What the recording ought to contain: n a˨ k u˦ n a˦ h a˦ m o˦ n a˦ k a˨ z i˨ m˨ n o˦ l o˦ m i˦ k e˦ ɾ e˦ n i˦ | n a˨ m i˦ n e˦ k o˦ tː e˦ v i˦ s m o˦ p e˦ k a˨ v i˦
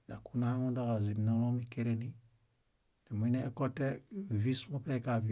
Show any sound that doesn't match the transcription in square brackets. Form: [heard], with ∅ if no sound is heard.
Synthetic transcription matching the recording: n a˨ k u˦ n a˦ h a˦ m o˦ [d] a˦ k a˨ z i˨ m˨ n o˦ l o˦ m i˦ k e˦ ɾ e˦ n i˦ | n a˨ m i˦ n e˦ k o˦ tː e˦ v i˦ s m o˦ p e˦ k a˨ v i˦